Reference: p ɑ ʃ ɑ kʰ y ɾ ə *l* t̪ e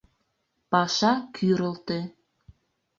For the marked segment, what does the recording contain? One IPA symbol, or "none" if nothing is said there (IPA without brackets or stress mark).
l